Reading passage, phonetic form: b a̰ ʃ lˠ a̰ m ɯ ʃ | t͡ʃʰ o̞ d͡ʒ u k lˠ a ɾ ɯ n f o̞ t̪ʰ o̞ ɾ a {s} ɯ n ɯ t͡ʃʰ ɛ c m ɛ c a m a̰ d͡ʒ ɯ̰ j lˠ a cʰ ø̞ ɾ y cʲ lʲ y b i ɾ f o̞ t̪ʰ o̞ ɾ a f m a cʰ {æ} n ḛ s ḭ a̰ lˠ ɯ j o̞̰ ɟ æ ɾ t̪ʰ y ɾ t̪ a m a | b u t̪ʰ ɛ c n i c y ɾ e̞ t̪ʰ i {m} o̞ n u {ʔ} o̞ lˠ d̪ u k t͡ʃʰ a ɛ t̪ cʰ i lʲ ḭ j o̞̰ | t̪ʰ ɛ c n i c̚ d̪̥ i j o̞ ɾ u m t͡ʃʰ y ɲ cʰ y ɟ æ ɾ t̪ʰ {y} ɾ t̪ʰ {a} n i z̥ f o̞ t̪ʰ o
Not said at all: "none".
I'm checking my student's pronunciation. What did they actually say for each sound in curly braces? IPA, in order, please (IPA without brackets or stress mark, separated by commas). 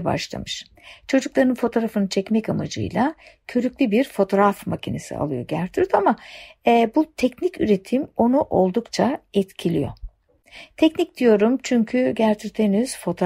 f, i, m, ʔ, y, e